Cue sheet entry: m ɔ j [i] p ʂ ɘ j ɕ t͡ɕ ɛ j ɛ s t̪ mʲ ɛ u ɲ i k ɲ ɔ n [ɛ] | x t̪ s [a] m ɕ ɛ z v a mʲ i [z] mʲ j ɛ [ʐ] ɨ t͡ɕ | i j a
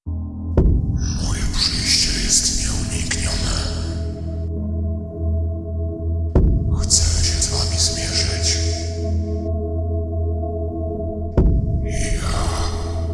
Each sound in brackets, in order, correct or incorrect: incorrect: ɛ, correct, incorrect: ɛ, correct, correct

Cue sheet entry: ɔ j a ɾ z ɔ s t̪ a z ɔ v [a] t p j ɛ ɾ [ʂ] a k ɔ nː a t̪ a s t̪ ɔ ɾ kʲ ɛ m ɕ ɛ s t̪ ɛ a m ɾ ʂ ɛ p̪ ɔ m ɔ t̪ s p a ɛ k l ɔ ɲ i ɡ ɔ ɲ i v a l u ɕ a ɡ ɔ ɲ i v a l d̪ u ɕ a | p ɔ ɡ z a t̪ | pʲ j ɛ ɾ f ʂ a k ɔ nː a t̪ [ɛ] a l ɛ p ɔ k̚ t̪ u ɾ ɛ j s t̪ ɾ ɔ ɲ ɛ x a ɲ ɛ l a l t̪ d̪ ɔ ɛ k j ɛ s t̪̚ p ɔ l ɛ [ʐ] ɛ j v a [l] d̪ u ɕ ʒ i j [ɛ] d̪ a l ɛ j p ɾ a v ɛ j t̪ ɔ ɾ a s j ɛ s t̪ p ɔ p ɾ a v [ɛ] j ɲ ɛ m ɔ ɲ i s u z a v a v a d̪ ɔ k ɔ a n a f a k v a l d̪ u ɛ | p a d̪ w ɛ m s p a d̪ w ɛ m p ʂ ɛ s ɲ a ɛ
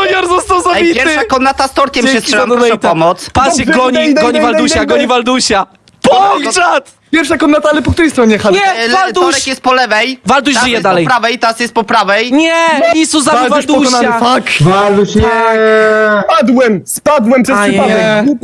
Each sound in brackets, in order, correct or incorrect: incorrect: i, correct, incorrect: a, incorrect: v, correct, correct, correct

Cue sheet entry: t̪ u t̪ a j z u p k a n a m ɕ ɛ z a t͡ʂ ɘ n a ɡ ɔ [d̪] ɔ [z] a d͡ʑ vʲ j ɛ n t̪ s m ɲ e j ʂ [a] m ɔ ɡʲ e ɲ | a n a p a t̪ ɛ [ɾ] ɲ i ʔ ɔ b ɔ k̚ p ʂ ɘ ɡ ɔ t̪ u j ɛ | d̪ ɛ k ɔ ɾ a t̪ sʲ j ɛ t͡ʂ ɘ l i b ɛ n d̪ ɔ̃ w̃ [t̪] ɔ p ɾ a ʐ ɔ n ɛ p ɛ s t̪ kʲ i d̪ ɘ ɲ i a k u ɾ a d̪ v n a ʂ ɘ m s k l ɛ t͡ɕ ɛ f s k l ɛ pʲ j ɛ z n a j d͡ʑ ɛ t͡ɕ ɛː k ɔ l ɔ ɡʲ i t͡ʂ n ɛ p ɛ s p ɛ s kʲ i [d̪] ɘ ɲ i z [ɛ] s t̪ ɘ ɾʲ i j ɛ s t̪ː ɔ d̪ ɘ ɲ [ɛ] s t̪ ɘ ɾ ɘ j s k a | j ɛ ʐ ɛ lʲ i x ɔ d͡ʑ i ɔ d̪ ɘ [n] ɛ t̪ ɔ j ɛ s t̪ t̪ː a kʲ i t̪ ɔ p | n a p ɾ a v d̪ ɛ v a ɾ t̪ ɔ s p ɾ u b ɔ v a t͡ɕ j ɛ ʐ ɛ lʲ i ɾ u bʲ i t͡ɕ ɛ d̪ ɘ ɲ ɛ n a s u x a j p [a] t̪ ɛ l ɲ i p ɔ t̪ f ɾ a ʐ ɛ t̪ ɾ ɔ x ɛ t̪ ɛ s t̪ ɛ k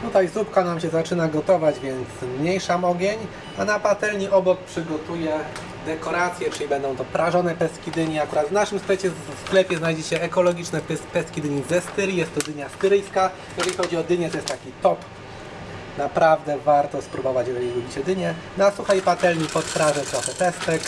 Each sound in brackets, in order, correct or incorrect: incorrect: t̪, incorrect: v, correct, incorrect: l, correct, correct, correct, incorrect: a, incorrect: ɲ, correct

